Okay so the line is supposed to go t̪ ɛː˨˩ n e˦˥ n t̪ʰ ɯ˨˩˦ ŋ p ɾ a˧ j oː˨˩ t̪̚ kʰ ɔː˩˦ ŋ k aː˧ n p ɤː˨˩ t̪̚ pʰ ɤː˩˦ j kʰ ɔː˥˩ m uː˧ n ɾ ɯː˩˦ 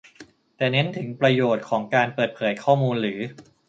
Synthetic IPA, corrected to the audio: t̪ ɛː˨˩ n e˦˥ n t̪ʰ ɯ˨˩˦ ŋ p ɾ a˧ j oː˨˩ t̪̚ kʰ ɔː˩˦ ŋ k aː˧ n p ɤː˨˩ t̪̚ pʰ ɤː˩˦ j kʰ ɔː˥˩ m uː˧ n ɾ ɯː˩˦